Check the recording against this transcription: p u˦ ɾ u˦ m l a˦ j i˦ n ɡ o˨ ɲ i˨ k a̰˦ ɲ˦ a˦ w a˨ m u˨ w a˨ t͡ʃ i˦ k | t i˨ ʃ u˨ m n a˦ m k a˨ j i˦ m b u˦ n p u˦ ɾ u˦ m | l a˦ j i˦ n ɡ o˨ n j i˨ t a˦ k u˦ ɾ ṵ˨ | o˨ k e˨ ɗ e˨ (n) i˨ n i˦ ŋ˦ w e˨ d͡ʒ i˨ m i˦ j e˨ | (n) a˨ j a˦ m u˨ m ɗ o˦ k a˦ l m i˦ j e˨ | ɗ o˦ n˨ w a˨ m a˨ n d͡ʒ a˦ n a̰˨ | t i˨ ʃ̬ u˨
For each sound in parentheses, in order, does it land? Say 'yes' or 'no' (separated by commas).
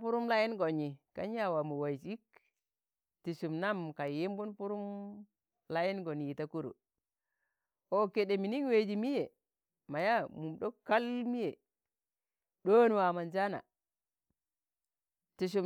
no, no